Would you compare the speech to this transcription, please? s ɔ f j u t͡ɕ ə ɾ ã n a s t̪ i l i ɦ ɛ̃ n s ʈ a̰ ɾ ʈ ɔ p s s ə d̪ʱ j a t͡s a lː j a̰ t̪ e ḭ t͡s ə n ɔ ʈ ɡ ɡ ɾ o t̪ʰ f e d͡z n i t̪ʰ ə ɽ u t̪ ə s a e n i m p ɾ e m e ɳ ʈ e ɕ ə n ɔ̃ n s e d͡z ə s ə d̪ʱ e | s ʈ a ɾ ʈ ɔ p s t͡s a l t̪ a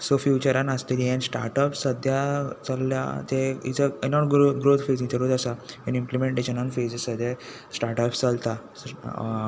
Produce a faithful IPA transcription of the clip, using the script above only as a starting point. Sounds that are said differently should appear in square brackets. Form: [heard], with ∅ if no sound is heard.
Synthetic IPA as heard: s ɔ f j u t͡ɕ ə ɾ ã n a s t̪ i l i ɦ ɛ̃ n s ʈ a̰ ɾ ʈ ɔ p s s ə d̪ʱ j a t͡s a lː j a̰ t̪ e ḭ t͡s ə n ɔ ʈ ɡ ɡ ɾ o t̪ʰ f e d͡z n i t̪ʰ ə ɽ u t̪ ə s a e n i m p [l] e m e ɳ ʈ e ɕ ə n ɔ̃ n [f] e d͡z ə s ə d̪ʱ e | s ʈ a ɾ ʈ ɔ p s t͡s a l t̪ a